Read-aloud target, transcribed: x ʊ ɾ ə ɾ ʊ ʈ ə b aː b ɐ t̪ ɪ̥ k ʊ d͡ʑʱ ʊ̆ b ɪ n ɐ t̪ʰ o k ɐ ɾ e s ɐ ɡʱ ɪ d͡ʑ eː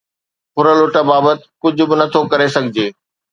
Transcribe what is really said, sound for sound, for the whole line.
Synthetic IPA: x ʊ ɾ ə l ʊ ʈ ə b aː b ə t̪ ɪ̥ k ʊ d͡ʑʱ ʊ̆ b ɪ n ɐ t̪ʰ o k ɐ ɾ e s ɐ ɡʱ ɪ d͡ʑ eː